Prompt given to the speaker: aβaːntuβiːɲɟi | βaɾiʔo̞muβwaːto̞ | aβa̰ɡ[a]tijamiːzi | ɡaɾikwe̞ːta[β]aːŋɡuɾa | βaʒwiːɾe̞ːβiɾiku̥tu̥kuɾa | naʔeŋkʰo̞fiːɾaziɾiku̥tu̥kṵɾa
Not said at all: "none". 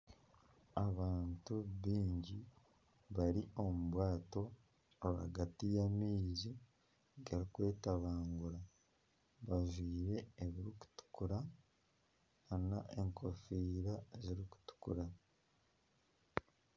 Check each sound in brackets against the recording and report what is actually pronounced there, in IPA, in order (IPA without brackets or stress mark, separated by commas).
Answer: a, β